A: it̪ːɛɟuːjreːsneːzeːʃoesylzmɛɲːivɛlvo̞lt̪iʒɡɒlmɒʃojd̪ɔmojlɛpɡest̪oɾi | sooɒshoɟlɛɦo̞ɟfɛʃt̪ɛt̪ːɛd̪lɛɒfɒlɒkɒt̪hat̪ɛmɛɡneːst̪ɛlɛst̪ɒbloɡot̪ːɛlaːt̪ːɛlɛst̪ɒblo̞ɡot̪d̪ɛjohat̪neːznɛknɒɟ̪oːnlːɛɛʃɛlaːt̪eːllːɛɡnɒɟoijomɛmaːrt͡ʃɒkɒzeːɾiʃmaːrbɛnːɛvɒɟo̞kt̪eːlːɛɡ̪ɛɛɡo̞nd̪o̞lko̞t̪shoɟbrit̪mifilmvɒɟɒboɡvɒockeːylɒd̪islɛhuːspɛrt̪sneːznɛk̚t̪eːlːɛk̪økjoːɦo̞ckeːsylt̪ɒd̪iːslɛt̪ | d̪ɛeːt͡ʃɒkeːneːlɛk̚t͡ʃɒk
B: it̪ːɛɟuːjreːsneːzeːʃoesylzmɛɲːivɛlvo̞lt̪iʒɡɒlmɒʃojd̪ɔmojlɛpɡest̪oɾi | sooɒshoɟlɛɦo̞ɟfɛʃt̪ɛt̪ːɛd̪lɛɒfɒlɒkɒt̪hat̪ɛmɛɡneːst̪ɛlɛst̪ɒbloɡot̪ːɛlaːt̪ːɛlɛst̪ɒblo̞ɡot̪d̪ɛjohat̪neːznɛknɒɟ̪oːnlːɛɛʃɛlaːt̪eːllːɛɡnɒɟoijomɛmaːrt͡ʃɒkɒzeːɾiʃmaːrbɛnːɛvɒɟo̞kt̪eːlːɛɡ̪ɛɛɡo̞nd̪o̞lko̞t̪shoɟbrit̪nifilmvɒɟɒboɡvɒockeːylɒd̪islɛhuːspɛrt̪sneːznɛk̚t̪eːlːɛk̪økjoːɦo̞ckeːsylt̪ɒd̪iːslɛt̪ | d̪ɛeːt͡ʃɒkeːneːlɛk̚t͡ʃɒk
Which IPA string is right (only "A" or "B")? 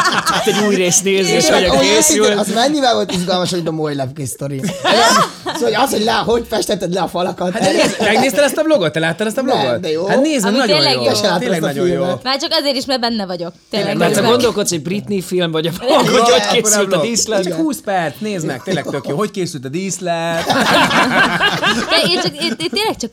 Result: B